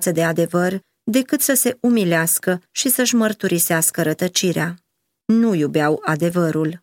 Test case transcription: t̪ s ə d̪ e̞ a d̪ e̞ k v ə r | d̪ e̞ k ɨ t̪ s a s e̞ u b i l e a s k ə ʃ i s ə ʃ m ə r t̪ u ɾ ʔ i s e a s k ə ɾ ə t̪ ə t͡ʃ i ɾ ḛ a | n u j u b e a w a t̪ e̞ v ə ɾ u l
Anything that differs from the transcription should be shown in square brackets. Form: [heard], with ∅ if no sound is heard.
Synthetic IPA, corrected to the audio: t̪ s ə d̪ e̞ a d̪ e̞ [∅] v ə r | d̪ e̞ k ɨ t̪ s [ə] s e̞ u [m] i l e a s k ə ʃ i s ə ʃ m ə r t̪ u ɾ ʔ i s e a s k ə ɾ ə t̪ ə t͡ʃ i ɾ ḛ a | n u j u b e a w a [d̪] e̞ v ə ɾ u l